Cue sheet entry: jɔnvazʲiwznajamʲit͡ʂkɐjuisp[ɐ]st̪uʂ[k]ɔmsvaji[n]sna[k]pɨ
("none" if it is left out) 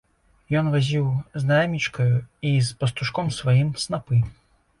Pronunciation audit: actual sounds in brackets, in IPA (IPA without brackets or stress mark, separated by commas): ɐ, k, m, none